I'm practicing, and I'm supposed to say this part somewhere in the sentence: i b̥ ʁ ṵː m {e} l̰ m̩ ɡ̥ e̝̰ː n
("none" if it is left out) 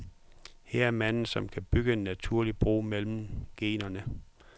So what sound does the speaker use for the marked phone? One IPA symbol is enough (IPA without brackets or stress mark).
e